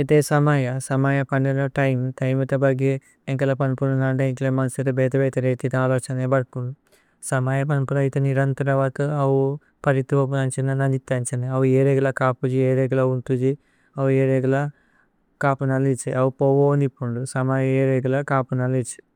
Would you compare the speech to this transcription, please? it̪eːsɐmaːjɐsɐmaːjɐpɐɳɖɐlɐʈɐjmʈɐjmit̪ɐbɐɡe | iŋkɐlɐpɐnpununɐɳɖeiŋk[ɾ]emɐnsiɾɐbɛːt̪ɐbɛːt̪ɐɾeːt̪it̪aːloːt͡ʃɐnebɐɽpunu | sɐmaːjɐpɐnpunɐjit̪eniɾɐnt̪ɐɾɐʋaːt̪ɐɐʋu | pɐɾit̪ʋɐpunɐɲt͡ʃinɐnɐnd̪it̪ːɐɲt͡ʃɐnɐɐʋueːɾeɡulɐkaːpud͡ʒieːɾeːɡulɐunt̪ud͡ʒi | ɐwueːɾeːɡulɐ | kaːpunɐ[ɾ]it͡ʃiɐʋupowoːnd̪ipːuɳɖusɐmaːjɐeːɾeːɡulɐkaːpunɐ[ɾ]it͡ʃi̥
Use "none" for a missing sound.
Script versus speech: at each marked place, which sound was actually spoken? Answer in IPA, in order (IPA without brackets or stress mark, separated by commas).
l, l, l